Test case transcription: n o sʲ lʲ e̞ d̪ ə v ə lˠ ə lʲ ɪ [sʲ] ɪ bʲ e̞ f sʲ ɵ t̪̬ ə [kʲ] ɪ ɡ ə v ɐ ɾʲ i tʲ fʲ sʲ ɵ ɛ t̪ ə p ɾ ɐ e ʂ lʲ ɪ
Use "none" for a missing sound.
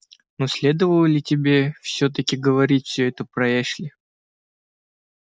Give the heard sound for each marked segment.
tʲ, kʲ

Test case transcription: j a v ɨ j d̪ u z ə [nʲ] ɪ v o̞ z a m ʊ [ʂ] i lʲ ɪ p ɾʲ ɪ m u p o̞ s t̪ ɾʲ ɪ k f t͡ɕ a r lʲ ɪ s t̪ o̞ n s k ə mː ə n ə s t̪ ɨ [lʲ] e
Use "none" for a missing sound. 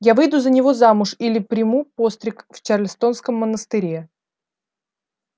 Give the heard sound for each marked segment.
nʲ, ʂ, ɾʲ

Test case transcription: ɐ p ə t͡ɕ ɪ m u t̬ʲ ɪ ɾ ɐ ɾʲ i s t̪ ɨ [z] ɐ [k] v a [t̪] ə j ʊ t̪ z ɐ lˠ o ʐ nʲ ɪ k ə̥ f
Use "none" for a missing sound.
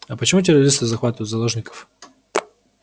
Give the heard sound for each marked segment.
z, x, t̪

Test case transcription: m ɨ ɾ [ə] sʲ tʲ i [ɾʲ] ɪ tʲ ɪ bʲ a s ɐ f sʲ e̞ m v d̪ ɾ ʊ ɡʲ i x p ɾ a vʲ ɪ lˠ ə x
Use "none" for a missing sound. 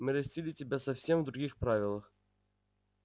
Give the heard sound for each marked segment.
ɐ, lʲ

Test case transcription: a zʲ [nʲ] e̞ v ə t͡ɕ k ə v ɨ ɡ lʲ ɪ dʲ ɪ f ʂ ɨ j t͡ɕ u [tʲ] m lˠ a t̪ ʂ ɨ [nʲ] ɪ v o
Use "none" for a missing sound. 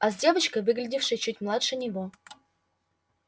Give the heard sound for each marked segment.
dʲ, tʲ, nʲ

